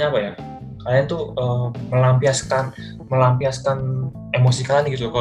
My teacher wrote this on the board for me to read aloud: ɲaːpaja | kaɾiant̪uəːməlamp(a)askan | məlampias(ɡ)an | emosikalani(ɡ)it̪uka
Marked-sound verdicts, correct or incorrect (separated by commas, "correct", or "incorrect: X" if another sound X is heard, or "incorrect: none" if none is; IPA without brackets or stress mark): incorrect: i, incorrect: k, correct